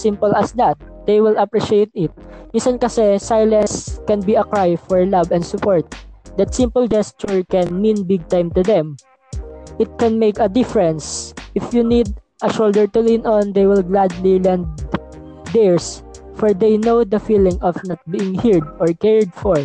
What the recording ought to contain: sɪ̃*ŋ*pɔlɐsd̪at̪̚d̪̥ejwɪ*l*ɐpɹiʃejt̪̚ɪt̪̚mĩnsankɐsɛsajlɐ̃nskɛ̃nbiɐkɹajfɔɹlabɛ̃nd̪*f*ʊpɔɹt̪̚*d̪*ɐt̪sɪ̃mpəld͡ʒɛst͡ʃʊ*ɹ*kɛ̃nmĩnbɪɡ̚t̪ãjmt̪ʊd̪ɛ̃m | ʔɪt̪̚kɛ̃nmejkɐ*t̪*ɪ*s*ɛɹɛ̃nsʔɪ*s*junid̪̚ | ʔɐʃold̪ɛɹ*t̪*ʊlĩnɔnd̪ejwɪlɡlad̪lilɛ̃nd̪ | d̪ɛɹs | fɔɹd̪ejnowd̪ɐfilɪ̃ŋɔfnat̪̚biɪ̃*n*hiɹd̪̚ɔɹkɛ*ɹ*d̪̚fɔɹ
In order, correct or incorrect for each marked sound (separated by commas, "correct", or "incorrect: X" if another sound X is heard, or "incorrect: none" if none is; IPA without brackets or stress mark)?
incorrect: m, correct, incorrect: s, correct, correct, incorrect: d̪, incorrect: f, incorrect: f, correct, incorrect: ŋ, correct